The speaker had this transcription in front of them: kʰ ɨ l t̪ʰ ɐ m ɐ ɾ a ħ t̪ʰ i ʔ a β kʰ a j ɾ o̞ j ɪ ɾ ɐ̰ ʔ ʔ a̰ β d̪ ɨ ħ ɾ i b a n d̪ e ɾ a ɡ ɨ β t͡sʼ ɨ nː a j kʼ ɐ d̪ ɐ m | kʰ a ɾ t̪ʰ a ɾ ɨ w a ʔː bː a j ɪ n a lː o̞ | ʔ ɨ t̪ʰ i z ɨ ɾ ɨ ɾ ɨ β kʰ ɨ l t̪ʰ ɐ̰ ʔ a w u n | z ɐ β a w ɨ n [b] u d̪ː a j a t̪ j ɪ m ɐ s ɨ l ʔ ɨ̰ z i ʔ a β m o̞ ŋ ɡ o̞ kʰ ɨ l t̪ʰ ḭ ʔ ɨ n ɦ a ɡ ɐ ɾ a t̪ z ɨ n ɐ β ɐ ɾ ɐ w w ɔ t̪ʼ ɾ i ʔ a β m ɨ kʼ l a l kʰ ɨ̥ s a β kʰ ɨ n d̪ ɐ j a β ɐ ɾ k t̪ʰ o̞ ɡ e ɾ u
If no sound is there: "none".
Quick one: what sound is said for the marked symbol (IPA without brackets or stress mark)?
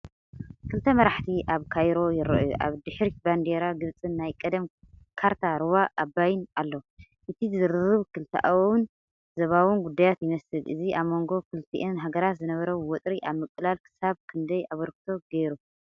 ɡ